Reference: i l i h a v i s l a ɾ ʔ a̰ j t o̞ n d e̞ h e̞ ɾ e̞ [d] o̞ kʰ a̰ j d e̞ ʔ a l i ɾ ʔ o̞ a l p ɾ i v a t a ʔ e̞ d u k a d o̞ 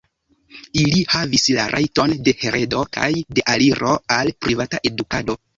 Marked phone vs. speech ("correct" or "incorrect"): correct